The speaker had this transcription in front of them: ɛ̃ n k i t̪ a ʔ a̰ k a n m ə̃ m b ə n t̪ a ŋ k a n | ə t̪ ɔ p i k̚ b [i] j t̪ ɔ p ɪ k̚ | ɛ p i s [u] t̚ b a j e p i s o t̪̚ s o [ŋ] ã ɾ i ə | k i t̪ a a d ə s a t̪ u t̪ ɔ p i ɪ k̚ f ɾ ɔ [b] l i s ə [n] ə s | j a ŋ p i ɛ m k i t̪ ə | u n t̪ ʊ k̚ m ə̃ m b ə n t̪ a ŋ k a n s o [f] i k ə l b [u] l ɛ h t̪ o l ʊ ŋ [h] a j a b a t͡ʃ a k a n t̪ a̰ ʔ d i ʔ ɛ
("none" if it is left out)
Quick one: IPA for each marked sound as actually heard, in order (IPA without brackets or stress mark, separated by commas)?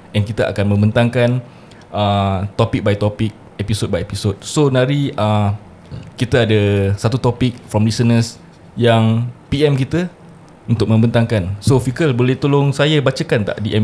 a, o, n, m, n, f, o, s